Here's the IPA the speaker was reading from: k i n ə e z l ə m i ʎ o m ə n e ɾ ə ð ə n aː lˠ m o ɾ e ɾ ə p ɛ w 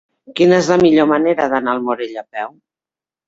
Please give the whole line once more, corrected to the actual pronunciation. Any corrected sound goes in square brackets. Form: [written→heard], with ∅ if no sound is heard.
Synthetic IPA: k i n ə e z l ə m i ʎ o m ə n e ɾ ə ð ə n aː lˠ m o ɾ e [ɾ→ʎ] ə p ɛ w